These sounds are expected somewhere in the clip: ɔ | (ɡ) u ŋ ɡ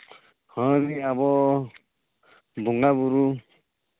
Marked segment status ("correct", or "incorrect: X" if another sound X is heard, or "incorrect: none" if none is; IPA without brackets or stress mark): incorrect: b